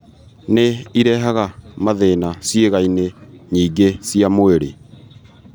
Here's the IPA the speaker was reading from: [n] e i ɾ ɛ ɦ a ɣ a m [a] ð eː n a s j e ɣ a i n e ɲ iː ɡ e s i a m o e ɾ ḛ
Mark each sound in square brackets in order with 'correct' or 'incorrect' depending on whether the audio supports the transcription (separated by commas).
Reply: correct, correct